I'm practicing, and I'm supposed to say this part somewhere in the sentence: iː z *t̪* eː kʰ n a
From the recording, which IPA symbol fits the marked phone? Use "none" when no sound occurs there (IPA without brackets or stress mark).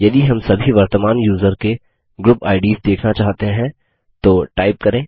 d̪